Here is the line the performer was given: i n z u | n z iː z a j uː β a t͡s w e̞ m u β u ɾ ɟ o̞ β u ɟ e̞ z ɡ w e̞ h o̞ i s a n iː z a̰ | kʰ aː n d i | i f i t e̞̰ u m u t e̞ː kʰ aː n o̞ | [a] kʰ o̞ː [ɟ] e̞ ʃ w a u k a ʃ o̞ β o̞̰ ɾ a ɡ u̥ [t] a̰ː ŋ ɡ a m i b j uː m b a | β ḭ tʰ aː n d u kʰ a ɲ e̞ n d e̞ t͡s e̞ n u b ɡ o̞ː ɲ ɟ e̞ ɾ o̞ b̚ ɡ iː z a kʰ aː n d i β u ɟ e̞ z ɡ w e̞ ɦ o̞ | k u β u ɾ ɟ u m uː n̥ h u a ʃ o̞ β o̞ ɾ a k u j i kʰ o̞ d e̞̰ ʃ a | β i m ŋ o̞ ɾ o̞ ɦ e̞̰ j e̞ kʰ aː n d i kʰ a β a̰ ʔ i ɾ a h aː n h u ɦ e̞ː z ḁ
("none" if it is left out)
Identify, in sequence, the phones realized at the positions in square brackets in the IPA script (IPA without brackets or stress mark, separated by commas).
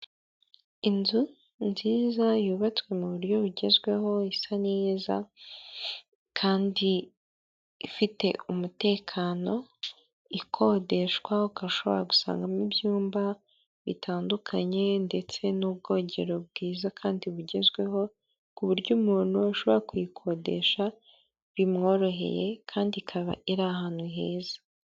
i, d, s